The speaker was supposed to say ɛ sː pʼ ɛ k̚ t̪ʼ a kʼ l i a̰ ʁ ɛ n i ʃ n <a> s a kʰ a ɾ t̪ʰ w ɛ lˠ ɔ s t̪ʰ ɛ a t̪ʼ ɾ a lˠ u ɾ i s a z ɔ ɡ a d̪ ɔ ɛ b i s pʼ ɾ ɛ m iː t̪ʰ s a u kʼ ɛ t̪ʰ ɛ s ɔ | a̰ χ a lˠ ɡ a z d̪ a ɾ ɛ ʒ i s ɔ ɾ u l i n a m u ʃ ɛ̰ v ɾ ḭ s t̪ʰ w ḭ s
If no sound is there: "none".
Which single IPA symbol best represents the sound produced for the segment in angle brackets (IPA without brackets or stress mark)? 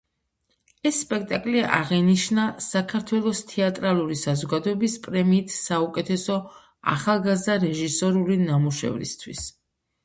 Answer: a